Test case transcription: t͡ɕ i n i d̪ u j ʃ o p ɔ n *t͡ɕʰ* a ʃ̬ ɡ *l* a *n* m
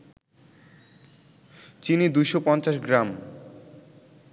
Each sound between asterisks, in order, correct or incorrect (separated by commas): incorrect, incorrect, incorrect